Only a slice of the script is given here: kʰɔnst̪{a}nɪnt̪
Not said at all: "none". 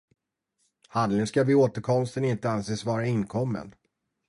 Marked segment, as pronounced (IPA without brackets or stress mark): ə